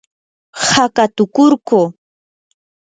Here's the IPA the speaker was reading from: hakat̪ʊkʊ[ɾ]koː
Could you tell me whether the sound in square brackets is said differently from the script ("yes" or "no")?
no